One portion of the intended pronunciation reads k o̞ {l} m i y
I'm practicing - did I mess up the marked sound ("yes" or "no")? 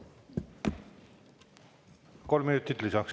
no